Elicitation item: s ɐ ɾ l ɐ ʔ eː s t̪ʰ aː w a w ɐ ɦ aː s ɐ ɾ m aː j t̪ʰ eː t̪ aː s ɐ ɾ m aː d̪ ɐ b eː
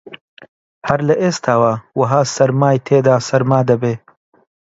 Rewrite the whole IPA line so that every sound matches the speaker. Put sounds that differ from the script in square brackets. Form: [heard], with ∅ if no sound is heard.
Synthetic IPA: [h] ɐ ɾ l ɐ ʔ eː s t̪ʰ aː w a w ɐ ɦ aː s ɐ ɾ m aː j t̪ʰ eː [d̪] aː s ɐ ɾ m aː d̪ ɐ b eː